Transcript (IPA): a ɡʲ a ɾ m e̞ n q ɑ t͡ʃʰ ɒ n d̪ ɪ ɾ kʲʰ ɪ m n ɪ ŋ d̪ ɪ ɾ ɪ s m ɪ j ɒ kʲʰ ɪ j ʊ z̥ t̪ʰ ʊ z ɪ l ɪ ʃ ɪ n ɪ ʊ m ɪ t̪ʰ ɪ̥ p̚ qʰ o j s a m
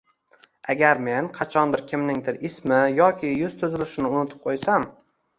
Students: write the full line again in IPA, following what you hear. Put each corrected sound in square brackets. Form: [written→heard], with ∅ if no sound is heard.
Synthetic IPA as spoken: a ɡʲ a ɾ m e̞ n [q→qʰ] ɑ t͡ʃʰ ɒ n d̪ ɪ ɾ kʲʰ ɪ m n ɪ ŋ d̪ ɪ ɾ ɪ s m ɪ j ɒ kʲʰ ɪ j ʊ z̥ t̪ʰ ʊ z ɪ l ɪ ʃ ɪ n ɪ ʊ [m→n] ɪ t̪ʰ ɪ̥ p̚ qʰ o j s a m